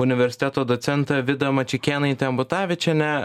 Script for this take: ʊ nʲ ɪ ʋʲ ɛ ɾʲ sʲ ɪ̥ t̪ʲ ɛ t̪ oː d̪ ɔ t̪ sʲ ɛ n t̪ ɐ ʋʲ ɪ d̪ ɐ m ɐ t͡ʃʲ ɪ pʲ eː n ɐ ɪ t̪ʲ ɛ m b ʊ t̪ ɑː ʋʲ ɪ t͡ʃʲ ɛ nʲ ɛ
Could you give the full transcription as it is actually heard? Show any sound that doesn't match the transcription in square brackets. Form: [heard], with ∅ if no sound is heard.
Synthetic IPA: ʊ nʲ ɪ ʋʲ ɛ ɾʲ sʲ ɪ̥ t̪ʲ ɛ t̪ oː d̪ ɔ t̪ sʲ ɛ n t̪ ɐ ʋʲ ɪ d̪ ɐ m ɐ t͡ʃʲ ɪ [kʲ] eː n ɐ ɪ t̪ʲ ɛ m b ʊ t̪ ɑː ʋʲ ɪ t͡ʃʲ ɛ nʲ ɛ